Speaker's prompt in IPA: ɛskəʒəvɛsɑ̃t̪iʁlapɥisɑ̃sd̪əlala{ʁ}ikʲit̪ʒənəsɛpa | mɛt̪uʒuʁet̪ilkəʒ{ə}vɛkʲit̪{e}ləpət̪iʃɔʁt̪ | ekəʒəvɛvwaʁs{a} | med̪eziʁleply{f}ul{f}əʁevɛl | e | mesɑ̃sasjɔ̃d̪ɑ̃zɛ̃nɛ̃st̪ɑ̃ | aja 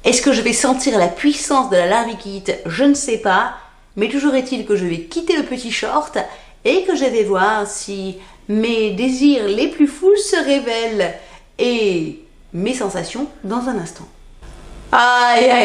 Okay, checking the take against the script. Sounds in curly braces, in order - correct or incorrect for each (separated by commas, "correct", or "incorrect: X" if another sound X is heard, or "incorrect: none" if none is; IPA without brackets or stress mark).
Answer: correct, correct, correct, incorrect: i, correct, incorrect: s